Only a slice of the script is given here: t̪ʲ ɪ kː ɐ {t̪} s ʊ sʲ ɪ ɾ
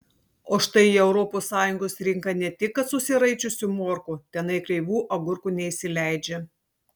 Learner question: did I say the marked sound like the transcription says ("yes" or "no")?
yes